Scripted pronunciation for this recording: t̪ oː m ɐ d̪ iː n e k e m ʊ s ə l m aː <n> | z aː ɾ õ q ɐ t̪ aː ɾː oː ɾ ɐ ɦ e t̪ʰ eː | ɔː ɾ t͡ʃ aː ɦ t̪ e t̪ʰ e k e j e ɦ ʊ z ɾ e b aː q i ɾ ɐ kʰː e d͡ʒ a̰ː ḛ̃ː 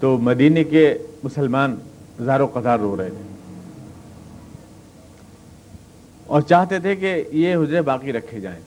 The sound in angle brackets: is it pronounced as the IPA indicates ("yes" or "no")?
yes